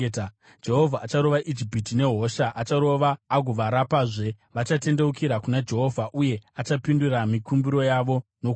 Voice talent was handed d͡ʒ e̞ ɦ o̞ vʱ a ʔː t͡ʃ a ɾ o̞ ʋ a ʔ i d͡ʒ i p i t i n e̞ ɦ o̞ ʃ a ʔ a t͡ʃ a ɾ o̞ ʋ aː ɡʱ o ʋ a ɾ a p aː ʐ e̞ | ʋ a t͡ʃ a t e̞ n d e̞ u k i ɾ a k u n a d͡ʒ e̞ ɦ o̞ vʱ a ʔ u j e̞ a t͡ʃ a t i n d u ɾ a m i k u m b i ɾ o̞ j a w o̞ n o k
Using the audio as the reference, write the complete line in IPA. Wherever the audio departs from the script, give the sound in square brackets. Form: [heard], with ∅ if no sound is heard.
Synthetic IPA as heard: d͡ʒ e̞ ɦ o̞ vʱ a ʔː t͡ʃ a ɾ o̞ ʋ a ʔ i d͡ʒ i p i t i n e̞ ɦ o̞ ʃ a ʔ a t͡ʃ a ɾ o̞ ʋ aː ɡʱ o ʋ a ɾ a p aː ʐ e̞ | ʋ a t͡ʃ a t e̞ n d e̞ u k i ɾ a k u n a d͡ʒ e̞ ɦ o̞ vʱ a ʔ u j e̞ a t͡ʃ a [p] i n d u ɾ a m i k u m b i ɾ o̞ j a [ʋ] o̞ n o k